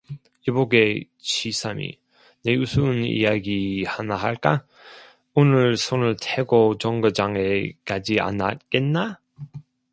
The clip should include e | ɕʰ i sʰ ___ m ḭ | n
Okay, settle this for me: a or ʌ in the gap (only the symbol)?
a